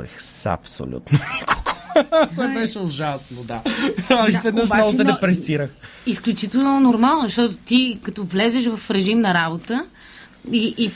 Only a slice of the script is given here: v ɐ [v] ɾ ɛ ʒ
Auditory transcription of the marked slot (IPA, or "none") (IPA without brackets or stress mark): f